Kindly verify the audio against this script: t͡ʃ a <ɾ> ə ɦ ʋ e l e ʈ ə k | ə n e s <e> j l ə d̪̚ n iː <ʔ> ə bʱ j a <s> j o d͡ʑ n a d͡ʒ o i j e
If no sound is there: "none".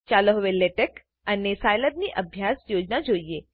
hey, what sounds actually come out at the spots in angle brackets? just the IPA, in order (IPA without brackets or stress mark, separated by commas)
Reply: l, a, ʔ, s